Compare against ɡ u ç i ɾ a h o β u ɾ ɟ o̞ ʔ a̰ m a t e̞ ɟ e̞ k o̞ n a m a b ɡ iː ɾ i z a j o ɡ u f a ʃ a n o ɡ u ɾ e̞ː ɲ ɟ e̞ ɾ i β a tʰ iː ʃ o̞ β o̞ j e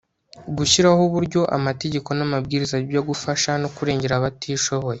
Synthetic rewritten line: ɡ u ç i ɾ a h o β u ɾ ɟ o̞ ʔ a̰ m a t e̞ ɟ e̞ k o̞ n a m a b ɡ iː ɾ i z a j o ɡ u f a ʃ a n o k u ɾ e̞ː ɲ ɟ e̞ ɾ a β a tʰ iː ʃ o̞ β o̞ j e